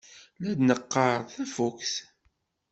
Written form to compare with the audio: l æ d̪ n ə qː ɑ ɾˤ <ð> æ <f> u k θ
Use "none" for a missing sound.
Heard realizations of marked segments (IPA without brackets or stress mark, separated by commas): θ, f